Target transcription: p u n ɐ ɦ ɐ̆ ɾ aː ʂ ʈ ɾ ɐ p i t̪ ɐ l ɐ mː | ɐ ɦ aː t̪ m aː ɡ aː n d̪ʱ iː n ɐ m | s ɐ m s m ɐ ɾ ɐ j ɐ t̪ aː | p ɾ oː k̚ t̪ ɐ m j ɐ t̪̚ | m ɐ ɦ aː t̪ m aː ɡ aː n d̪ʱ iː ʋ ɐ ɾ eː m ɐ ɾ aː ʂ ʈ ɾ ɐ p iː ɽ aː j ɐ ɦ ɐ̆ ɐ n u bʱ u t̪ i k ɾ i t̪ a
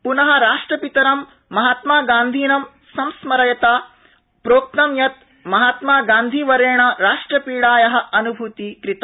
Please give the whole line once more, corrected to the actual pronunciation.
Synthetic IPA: p u n ɐ ɦ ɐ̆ ɾ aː ʂ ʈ ɾ ɐ p i t̪ ɐ ɾ ɐ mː | ɐ ɦ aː t̪ m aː ɡ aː n d̪ʱ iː n ɐ m | s ɐ m s m ɐ ɾ ɐ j ɐ t̪ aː | p ɾ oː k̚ t̪ ɐ m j ɐ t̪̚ | m ɐ ɦ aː t̪ m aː ɡ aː n d̪ʱ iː ʋ ɐ ɾ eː ɳ ɐ ɾ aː ʂ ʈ ɾ ɐ p iː ɽ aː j ɐ ɦ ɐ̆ ɐ n u bʱ u t̪ i k ɾ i t̪ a

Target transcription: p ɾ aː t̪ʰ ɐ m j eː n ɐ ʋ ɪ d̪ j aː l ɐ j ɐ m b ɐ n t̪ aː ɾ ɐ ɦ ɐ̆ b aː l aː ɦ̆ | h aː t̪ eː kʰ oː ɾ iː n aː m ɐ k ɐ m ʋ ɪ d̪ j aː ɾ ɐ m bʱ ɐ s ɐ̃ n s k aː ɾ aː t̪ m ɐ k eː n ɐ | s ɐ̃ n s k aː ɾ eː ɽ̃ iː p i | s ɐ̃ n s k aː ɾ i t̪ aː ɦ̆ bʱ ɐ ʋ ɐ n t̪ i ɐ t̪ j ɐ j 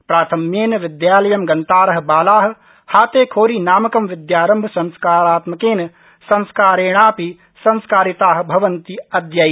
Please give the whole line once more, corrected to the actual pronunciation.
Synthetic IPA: p ɾ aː t̪ʰ ɐ m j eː n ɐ ʋ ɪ d̪ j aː l ɐ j ɐ m ɡ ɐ n t̪ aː ɾ ɐ ɦ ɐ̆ b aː l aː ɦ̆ | h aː t̪ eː kʰ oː ɾ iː n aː m ɐ k ɐ m ʋ ɪ d̪ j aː ɾ ɐ m bʱ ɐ s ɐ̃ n s k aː ɾ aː t̪ m ɐ k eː n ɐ | s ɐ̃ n s k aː ɾ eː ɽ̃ aː p i | s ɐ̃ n s k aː ɾ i t̪ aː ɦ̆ bʱ ɐ ʋ ɐ n t̪ i ɐ d̪ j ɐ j

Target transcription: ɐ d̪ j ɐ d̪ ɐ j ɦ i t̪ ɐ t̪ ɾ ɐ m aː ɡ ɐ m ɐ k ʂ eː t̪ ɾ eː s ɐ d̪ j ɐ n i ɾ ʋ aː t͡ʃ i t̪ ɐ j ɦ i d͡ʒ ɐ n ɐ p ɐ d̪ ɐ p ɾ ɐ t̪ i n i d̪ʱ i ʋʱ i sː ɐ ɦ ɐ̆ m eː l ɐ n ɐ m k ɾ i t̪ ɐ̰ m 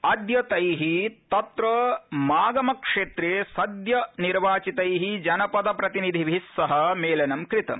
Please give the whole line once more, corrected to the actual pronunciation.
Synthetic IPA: ɐ d̪ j ɐ t̪ ɐ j ɦ i t̪ ɐ t̪ ɾ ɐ m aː ɡ ɐ m ɐ k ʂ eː t̪ ɾ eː s ɐ d̪ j ɐ n i ɾ ʋ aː t͡ʃ i t̪ ɐ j ɦ i d͡ʒ ɐ n ɐ p ɐ d̪ ɐ p ɾ ɐ t̪ i n i d̪ʱ i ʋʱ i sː ɐ ɦ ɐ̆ m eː l ɐ n ɐ m k ɾ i t̪ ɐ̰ m

